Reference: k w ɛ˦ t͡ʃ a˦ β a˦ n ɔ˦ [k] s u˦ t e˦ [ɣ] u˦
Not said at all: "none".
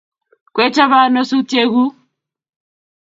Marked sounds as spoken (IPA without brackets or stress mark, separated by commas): none, ɣ